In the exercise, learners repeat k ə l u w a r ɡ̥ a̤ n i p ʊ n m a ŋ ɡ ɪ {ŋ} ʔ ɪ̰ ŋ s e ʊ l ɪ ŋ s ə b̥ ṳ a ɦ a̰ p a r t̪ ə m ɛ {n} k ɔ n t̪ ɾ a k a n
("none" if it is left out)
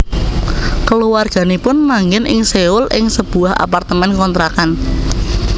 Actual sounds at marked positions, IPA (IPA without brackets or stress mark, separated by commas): n, n